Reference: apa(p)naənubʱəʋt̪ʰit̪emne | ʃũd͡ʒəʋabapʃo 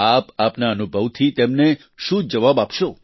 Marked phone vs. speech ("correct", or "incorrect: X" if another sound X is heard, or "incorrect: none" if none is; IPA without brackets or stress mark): correct